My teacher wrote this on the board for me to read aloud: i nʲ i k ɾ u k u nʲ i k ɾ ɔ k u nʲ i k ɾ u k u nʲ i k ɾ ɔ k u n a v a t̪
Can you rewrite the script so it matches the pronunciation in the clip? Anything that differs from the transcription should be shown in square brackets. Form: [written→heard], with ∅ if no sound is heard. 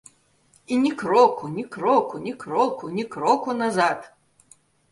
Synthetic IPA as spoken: i nʲ i k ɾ [u→ɔ] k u nʲ i k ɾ ɔ k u nʲ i k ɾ [u→ɔ] k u nʲ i k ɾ ɔ k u n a [v→z] a t̪

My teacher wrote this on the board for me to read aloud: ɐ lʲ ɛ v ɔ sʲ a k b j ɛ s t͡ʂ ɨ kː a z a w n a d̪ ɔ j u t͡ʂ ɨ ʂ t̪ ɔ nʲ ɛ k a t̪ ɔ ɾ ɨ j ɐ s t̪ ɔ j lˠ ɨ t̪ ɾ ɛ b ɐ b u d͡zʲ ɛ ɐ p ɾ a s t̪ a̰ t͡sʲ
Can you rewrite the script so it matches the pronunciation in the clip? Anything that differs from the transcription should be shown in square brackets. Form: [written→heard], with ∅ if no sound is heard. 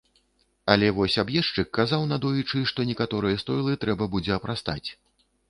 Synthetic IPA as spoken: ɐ lʲ ɛ v ɔ sʲ a [k→∅] b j ɛ [s→ʂ] t͡ʂ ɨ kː a z a w n a d̪ ɔ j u t͡ʂ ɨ ʂ t̪ ɔ nʲ ɛ k a t̪ ɔ ɾ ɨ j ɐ s t̪ ɔ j lˠ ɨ t̪ ɾ ɛ b ɐ b u d͡zʲ ɛ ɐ p ɾ a s t̪ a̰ t͡sʲ

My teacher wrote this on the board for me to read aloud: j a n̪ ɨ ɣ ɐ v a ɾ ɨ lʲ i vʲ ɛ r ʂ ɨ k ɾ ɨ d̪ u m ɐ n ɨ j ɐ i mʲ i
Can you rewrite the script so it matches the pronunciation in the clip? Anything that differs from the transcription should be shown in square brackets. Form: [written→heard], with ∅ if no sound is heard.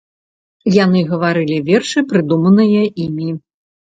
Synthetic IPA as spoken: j a n̪ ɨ ɣ ɐ v a ɾ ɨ lʲ i vʲ ɛ r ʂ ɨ [k→p] ɾ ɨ d̪ u m ɐ n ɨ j ɐ i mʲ i

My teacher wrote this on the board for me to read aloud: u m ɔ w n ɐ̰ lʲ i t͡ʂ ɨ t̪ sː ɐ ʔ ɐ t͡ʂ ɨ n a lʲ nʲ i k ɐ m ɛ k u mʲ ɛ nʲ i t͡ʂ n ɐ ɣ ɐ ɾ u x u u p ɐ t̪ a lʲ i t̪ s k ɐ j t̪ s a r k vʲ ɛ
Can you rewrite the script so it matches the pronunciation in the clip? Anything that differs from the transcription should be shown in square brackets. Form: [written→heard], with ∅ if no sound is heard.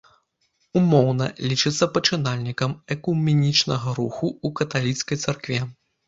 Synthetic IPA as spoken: u m ɔ w n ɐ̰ lʲ i t͡ʂ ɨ t̪ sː ɐ [ʔ→p] ɐ t͡ʂ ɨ n a lʲ nʲ i k ɐ m ɛ k u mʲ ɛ nʲ i t͡ʂ n ɐ ɣ ɐ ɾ u x u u [p→k] ɐ t̪ a lʲ i t̪ s k ɐ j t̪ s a r k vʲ ɛ

